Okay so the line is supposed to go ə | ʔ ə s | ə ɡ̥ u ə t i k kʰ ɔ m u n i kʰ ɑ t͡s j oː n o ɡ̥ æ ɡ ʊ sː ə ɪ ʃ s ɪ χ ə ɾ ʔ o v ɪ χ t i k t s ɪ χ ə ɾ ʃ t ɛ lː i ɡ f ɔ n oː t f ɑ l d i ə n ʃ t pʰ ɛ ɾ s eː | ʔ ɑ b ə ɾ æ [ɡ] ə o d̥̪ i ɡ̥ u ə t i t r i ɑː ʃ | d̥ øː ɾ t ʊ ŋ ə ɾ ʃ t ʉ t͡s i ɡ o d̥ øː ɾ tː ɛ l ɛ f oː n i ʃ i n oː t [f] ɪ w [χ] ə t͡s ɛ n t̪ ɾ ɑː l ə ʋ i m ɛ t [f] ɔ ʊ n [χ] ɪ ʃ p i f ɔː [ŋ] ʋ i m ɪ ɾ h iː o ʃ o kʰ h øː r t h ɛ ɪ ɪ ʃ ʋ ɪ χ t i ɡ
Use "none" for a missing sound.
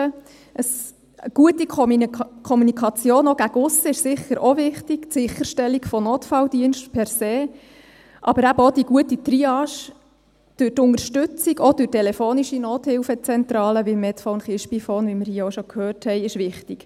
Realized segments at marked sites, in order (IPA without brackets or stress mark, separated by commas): b, h, f, f, χ, n